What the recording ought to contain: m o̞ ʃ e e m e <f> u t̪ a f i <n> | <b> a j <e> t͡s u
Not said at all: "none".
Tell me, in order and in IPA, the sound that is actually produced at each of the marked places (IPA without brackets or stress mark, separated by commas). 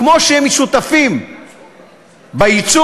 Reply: ʃ, m, b, i